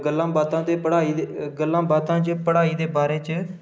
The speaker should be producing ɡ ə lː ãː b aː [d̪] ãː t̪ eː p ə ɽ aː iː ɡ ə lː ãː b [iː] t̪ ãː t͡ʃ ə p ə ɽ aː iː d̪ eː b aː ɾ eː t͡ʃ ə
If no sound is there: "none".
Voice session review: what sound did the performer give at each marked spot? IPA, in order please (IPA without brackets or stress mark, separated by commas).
t̪, aː